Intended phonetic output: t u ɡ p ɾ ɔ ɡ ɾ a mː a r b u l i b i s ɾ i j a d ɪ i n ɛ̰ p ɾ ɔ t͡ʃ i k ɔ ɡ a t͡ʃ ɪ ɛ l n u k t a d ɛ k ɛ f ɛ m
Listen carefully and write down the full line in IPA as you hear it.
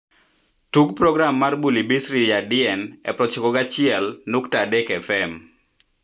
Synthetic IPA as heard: t u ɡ p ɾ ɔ ɡ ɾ a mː a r b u l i b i s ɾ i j a d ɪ ɛ n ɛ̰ p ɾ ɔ t͡ʃ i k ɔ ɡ a t͡ʃ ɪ ɛ l n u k t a d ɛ k ɛ f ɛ m